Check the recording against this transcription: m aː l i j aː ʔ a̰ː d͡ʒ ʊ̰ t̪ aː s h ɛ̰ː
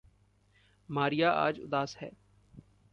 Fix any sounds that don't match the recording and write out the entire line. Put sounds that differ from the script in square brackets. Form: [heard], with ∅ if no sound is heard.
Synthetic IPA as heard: m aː [ɾ] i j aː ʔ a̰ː d͡ʒ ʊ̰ [d̪] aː s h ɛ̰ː